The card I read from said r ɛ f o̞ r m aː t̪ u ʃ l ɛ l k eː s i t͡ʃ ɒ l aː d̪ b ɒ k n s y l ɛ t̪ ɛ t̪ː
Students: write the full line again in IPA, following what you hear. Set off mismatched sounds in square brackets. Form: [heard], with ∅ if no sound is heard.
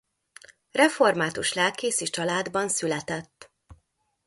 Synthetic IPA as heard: r ɛ f o̞ r m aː t̪ u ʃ l ɛ l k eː s i t͡ʃ ɒ l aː d̪ b ɒ [∅] n s y l ɛ t̪ ɛ t̪ː